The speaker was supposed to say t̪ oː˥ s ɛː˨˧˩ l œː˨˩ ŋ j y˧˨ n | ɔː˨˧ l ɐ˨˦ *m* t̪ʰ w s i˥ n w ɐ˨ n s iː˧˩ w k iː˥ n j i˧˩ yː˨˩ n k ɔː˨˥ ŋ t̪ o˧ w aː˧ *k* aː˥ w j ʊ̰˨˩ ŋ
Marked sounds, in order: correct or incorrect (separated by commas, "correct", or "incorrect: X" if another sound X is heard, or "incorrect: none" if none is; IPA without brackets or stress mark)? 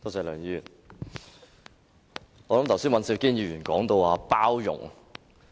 correct, incorrect: p